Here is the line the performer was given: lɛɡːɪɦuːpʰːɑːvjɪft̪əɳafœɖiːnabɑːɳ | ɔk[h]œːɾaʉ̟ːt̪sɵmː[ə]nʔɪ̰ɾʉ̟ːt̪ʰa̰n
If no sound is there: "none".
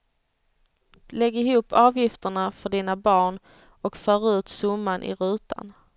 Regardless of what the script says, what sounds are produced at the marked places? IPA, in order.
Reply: f, a

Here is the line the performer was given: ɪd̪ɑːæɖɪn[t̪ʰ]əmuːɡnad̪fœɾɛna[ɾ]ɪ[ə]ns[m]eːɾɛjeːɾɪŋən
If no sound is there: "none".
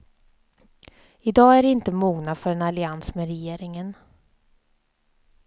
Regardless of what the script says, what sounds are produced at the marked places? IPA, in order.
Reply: t̪, l, a, m

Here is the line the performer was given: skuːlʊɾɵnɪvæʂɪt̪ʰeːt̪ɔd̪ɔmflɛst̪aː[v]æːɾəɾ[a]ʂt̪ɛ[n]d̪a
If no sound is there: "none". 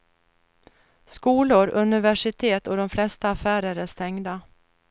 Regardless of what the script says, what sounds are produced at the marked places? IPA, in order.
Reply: f, æ, ŋ

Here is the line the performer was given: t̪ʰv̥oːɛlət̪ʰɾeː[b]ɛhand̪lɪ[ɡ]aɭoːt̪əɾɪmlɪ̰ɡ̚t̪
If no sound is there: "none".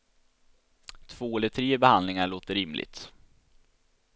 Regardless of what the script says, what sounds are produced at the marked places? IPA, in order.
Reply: b, ŋ

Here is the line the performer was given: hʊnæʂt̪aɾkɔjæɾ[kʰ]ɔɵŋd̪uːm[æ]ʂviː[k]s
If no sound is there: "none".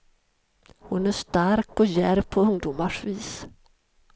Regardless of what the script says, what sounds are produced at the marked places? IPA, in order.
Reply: pʰ, a, none

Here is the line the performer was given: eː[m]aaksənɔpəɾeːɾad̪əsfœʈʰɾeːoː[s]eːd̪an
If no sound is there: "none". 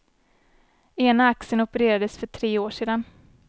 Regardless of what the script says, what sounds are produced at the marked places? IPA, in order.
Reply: n, ʂ

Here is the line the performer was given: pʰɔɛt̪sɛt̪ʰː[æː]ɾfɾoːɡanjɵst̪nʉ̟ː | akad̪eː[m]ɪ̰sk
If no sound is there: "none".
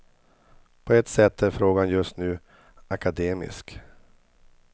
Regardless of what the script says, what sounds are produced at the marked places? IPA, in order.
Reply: æ, m

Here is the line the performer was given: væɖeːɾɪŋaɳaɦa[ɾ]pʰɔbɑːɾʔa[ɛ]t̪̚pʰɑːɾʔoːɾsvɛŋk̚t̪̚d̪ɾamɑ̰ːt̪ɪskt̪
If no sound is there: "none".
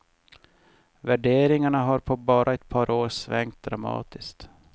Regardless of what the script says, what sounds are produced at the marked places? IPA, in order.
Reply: ɾ, ɛ

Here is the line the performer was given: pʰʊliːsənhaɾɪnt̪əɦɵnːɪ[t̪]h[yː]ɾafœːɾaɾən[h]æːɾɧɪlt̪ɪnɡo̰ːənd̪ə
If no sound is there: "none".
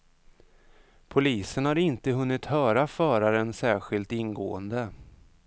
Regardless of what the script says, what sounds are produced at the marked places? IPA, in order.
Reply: t̪, œː, s

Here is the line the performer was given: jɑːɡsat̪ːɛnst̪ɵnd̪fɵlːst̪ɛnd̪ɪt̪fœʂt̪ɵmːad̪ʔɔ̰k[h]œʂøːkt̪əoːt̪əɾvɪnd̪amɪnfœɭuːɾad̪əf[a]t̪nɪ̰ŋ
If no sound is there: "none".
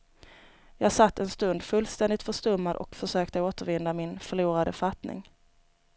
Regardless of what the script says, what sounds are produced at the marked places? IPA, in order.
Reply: f, a

